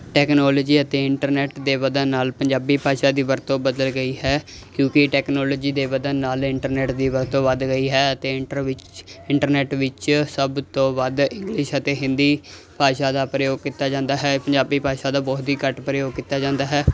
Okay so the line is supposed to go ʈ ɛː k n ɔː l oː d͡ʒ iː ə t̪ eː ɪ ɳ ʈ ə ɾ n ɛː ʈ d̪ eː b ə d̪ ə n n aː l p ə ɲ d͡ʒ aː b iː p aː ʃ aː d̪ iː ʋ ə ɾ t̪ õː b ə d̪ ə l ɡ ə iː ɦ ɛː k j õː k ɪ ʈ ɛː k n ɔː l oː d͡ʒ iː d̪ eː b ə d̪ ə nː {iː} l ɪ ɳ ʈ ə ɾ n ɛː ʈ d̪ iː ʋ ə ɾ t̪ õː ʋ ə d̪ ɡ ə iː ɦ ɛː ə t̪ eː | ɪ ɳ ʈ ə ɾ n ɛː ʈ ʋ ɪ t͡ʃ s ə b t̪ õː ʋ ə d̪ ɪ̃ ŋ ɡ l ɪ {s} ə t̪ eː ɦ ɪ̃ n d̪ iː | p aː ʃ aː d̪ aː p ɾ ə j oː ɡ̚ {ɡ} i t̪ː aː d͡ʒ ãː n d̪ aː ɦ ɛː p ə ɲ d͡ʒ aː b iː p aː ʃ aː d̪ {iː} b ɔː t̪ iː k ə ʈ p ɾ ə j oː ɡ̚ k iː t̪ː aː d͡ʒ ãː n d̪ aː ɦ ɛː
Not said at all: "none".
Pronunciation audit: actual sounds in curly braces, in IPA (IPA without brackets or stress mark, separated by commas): aː, ʃ, k, aː